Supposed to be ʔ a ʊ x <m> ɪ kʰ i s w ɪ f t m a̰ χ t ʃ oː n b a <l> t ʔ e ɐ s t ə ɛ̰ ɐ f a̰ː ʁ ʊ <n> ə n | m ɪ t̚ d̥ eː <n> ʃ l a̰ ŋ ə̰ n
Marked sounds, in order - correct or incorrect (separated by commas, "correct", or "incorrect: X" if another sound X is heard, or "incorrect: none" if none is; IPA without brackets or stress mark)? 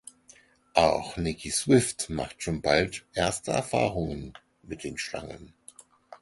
incorrect: n, correct, incorrect: ŋ, correct